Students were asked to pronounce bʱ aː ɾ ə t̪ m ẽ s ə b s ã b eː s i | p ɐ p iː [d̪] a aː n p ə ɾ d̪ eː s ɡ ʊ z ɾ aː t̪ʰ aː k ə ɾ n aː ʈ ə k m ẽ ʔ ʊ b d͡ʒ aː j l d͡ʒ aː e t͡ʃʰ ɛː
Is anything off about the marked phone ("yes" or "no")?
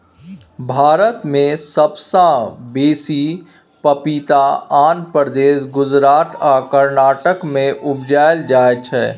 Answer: yes